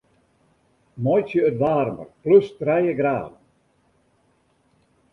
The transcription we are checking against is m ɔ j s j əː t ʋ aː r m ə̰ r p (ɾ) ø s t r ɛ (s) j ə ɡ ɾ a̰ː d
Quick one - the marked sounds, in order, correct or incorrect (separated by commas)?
incorrect, incorrect